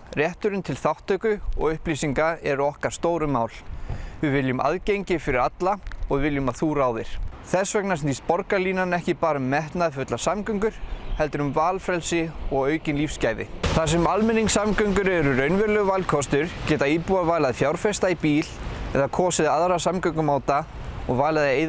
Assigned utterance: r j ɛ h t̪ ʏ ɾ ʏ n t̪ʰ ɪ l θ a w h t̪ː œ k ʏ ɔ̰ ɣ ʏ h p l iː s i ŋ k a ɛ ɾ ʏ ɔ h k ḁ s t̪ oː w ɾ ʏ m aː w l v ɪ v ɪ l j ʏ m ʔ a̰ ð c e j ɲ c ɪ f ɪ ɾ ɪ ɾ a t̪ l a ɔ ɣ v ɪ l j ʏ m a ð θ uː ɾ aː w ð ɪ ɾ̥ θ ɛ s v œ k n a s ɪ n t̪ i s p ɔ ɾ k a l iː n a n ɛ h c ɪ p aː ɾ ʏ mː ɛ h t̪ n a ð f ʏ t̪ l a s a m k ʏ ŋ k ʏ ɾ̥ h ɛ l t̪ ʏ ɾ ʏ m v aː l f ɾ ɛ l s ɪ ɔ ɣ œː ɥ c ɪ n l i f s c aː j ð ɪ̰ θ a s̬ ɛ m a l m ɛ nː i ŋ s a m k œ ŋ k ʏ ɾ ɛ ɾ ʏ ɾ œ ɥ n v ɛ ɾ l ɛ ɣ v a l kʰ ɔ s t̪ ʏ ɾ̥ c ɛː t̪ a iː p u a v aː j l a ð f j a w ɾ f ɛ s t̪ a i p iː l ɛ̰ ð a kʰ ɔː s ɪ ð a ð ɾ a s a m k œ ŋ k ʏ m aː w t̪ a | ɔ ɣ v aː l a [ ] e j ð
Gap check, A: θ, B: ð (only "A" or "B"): B